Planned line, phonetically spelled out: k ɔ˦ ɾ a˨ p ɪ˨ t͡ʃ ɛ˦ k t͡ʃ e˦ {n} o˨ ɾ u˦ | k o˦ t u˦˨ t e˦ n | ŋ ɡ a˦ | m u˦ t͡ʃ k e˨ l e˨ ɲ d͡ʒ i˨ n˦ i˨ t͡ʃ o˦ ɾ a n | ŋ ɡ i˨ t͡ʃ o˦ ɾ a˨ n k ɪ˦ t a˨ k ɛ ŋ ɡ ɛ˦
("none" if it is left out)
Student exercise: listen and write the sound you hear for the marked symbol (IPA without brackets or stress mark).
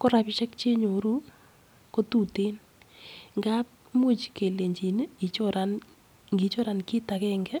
ɲ